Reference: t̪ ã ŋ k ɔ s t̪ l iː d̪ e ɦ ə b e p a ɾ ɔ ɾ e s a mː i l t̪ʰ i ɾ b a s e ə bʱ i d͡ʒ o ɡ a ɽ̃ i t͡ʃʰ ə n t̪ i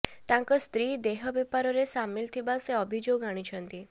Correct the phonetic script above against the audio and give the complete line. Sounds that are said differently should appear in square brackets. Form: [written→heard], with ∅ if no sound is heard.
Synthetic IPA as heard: t̪ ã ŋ k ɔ s t̪ [l→ɾ] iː d̪ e ɦ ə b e p a ɾ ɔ ɾ e s a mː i l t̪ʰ i [ɾ→∅] b a s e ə bʱ i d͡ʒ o ɡ a ɽ̃ i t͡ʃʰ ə n t̪ i